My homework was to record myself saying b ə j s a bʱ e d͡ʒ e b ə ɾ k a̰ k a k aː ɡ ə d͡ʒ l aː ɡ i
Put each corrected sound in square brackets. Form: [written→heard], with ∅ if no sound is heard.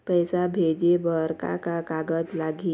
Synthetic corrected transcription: [b→p] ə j s a bʱ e d͡ʒ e b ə ɾ k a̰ k a k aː ɡ ə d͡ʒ l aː ɡ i